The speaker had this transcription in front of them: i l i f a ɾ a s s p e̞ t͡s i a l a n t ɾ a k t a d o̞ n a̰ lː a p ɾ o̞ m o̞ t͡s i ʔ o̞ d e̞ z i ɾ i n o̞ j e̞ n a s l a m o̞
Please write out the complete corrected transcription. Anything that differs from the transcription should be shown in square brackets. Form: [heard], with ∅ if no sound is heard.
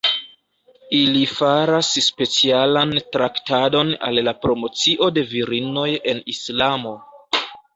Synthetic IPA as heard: i l i f a ɾ a s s p e̞ t͡s i a l a n t ɾ a k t a d o̞ n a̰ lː a p ɾ o̞ m o̞ t͡s i ʔ o̞ d e̞ [v] i ɾ i n o̞ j e̞ n [i] s l a m o̞

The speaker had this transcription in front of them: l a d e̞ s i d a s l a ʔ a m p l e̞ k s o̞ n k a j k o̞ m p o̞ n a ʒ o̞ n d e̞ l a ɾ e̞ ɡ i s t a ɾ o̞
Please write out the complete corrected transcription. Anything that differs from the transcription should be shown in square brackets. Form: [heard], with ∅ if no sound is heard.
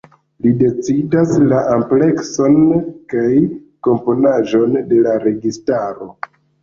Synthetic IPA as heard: l [i] d e̞ [t͡s] i d a s l a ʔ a m p l e̞ k s o̞ n k a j k o̞ m p o̞ n a ʒ o̞ n d e̞ l a ɾ e̞ ɡ i s t a ɾ o̞

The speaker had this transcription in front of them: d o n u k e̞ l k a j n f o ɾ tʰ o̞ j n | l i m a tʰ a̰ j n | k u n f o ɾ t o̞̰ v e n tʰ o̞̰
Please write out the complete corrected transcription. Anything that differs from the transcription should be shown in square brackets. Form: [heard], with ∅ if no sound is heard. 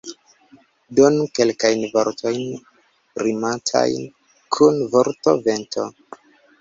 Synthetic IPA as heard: d o n u k e̞ l k a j n [v] o ɾ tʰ o̞ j n | [ɾ] i m a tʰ a̰ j n | [kʰ] u n [v] o ɾ t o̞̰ v e n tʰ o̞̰

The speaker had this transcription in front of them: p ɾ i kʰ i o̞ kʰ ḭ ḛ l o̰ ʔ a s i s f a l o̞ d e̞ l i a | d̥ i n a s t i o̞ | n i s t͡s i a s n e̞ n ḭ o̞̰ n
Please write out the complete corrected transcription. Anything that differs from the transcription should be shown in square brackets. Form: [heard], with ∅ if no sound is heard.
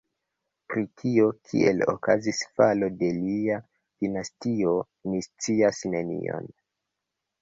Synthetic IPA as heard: p ɾ i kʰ i o̞ kʰ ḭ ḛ l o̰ [k] a [z] i s f a l o̞ d e̞ l i a | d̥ i n a s t i o̞ | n i s t͡s i a s n e̞ n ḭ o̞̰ n

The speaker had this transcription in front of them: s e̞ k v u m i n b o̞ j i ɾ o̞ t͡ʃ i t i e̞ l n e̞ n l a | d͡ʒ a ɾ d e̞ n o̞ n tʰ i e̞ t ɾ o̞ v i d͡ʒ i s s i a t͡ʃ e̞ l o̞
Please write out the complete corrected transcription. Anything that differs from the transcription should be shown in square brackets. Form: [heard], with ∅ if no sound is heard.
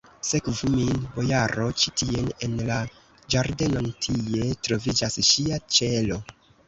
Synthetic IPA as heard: s e̞ k v u m i n b o̞ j [a] ɾ o̞ t͡ʃ i t i e̞ [∅] n e̞ n l a | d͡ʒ a ɾ d e̞ n o̞ n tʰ i e̞ t ɾ o̞ v i d͡ʒ [a] s [ʃ] i a t͡ʃ e̞ l o̞

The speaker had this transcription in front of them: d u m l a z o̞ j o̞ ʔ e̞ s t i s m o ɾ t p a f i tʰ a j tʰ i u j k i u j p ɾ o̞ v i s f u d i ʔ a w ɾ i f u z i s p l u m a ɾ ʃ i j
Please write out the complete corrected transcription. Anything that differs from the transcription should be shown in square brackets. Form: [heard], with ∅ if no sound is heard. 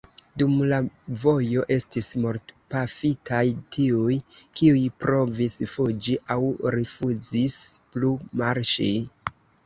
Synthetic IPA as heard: d u m l a [v] o̞ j o̞ ʔ e̞ s t i s m o ɾ t p a f i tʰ a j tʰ i u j k i u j p ɾ o̞ v i s f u [d͡ʒ] i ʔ a w ɾ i f u z i s p l u m a ɾ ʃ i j

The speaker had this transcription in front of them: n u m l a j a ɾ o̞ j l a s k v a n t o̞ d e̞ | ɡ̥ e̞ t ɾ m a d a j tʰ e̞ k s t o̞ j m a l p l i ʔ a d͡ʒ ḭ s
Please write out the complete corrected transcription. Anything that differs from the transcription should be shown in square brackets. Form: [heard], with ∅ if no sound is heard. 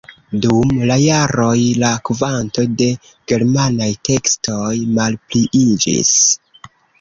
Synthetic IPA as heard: [d] u m l a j a ɾ o̞ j l a [∅] k v a n t o̞ d e̞ | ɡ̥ e̞ [∅] ɾ m a [n] a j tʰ e̞ k s t o̞ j m a l p l i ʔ [i] d͡ʒ ḭ s

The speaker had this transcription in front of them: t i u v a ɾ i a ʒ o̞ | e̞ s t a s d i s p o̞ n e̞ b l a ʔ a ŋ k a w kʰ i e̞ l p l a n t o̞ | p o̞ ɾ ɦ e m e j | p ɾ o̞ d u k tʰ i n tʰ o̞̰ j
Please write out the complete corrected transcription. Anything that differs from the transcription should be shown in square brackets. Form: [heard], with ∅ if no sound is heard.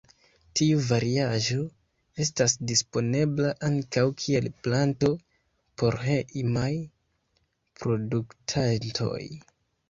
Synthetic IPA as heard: t i u v a ɾ i a ʒ o̞ | e̞ s t a s d i s p o̞ n e̞ b l a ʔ a ŋ k a w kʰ i e̞ l p l a n t o̞ | p o̞ ɾ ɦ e m [a] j | p ɾ o̞ d u k tʰ [a] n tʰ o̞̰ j

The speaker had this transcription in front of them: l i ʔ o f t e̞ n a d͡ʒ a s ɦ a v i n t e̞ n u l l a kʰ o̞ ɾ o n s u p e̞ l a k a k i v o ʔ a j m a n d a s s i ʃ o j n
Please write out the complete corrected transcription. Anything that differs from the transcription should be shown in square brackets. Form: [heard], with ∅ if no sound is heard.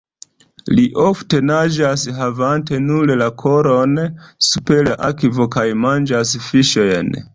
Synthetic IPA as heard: l i ʔ o f t e̞ n a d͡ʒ a s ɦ a v [a] n t e̞ n u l l a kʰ o̞ ɾ o n s u p e̞ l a [ʔ] a k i v o [k] a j m a n [d͡ʒ] a s [f] i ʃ o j n

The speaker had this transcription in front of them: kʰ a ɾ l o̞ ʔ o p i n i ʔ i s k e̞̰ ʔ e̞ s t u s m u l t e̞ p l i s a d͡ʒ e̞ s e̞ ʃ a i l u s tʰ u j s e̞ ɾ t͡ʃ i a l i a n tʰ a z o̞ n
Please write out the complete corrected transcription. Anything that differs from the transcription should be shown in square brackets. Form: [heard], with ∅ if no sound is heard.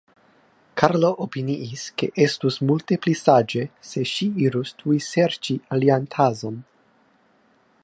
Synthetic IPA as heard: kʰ a ɾ l o̞ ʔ o p i n i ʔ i s k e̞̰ ʔ e̞ s t u s m u l t e̞ p l i s a d͡ʒ e̞ s e̞ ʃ [i] i [ɾ] u s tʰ u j s e̞ ɾ t͡ʃ i a l i a n tʰ a z o̞ n

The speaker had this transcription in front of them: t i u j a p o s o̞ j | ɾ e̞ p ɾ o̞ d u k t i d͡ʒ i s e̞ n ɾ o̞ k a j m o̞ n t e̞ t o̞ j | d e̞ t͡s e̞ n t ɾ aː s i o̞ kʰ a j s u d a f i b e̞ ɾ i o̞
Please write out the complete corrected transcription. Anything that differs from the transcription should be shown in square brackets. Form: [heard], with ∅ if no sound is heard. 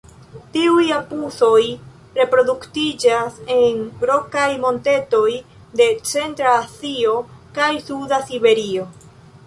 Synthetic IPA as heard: t i u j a p [u] s o̞ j | ɾ e̞ p ɾ o̞ d u k t i d͡ʒ [a] s e̞ n ɾ o̞ k a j m o̞ n t e̞ t o̞ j | d e̞ t͡s e̞ n t ɾ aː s i o̞ [k] a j s u d a [s] i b e̞ ɾ i o̞

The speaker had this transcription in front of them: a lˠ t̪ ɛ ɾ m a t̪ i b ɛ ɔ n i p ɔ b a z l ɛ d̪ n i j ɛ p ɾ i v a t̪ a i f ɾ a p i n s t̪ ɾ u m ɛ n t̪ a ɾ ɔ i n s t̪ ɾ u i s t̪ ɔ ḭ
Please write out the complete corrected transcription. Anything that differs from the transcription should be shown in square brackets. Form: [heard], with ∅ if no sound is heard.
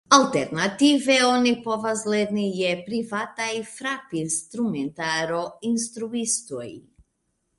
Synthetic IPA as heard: a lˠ t̪ ɛ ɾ [n] a t̪ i [v] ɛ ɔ n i p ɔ [v] a z l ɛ d̪ n i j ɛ p ɾ i v a t̪ a i f ɾ a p i n s t̪ ɾ u m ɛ n t̪ a ɾ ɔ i n s t̪ ɾ u i s t̪ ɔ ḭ

